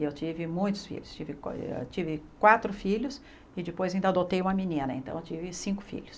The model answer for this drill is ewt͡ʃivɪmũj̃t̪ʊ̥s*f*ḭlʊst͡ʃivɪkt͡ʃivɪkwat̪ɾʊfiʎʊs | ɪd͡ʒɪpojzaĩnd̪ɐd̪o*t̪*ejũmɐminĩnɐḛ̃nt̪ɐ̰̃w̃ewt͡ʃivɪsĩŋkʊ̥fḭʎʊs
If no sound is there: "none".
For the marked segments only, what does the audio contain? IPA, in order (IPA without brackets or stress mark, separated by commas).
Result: f, t̪